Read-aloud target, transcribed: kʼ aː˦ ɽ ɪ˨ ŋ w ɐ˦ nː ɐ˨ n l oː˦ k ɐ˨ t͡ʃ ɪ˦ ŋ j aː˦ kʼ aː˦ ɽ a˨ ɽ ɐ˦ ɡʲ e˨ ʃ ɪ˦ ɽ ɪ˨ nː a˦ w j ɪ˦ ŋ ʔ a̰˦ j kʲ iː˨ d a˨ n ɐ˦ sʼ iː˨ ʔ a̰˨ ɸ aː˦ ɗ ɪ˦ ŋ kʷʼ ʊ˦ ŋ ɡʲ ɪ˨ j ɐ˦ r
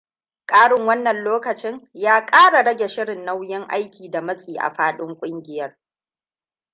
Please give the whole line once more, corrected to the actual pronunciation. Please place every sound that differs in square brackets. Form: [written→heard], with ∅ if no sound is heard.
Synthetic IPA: kʼ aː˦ ɽ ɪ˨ ŋ w ɐ˦ nː ɐ˨ n l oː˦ k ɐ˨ t͡ʃ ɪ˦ ŋ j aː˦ kʼ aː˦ ɽ a˨ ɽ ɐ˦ ɡʲ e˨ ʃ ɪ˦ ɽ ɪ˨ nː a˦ w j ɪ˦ ŋ ʔ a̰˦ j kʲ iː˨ d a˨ [n→m] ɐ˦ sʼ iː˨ ʔ a̰˨ ɸ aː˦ ɗ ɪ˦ ŋ kʷʼ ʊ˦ ŋ ɡʲ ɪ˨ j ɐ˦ r